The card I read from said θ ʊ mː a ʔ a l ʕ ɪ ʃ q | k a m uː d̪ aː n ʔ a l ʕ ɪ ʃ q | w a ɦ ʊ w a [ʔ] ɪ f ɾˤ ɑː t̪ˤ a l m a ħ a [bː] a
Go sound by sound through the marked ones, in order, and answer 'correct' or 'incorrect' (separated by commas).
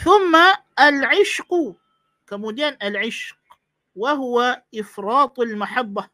correct, correct